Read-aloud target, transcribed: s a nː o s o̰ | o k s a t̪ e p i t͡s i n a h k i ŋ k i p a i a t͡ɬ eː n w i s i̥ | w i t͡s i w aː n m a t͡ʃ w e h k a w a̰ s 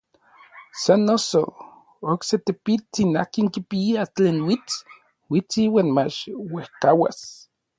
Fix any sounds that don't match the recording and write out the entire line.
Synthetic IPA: s a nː o s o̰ | o k s e t̪ e p i t͡s i n a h k i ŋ k i p i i a t͡ɬ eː n w i t͡s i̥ | w i t͡s i w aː n m a t͡ʃ w e h k a w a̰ s